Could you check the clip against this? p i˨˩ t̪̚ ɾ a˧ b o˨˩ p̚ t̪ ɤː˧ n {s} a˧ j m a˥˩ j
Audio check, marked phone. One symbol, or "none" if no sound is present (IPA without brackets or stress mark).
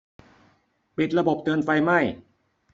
f